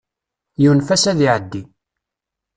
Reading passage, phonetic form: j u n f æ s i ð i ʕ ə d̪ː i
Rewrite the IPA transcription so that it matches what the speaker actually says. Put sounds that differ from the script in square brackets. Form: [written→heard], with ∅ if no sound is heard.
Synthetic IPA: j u n f æ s [i→æ] ð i ʕ ə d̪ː i